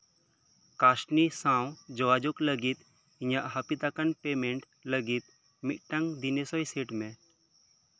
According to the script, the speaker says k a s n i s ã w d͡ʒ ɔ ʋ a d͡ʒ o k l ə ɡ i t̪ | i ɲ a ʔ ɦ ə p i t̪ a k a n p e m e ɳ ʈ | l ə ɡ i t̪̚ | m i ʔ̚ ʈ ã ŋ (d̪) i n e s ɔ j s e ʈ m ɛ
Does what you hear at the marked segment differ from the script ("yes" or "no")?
no